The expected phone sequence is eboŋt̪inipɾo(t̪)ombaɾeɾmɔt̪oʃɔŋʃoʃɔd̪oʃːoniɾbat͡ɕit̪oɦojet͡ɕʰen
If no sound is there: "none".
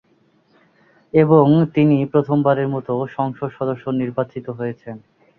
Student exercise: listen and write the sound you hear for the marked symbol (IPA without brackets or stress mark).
t̪ʰ